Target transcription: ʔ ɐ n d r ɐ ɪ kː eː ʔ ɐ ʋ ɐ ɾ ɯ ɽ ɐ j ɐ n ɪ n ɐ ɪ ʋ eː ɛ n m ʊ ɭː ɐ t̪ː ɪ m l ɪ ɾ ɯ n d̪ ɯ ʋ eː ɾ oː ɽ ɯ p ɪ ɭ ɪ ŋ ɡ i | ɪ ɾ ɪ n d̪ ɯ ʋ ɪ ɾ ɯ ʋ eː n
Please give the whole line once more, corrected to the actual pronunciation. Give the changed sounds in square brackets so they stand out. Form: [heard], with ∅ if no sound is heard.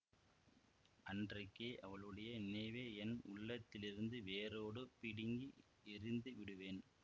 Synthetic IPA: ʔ ɐ n d r ɐ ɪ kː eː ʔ ɐ ʋ ɐ [ɭ] ɯ ɽ ɐ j ɐ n ɪ n ɐ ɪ ʋ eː ɛ n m ʊ ɭː ɐ t̪ː ɪ [∅] l ɪ ɾ ɯ n d̪ ɯ ʋ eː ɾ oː ɽ ɯ p ɪ [ɽ] ɪ ŋ ɡ i | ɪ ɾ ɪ n d̪ ɯ ʋ ɪ [ɽ] ɯ ʋ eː n